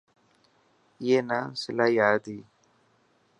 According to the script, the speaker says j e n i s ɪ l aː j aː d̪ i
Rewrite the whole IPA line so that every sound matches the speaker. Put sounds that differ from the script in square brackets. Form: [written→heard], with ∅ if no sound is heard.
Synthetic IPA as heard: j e n [i→a] s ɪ l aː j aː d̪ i